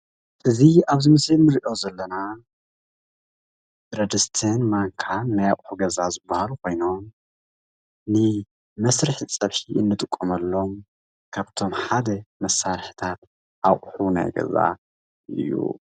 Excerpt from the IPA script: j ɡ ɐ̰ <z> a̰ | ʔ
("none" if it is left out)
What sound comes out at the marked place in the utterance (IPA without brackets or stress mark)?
z